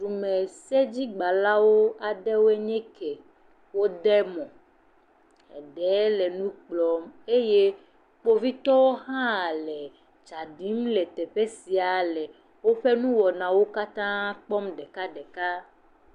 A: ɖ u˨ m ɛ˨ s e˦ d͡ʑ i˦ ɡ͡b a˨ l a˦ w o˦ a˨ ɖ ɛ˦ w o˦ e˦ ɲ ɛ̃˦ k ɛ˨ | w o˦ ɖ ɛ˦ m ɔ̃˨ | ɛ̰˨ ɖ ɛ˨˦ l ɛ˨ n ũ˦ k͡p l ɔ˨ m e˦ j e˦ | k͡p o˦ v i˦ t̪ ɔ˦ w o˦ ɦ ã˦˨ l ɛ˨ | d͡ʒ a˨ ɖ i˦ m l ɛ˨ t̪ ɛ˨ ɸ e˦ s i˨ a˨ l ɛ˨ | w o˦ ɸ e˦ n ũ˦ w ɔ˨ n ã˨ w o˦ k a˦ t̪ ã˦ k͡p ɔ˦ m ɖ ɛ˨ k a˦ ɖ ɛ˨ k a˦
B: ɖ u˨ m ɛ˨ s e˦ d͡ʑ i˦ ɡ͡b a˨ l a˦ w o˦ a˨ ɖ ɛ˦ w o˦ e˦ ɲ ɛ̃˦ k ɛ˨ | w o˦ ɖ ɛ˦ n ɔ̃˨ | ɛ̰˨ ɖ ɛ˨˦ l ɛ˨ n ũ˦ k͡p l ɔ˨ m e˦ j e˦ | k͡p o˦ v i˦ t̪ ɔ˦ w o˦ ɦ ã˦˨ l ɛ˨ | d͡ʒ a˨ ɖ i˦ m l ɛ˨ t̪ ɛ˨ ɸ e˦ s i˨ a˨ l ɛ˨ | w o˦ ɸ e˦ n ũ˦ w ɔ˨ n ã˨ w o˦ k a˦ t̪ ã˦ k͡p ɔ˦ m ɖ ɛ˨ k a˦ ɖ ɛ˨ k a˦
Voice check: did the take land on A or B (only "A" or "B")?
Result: A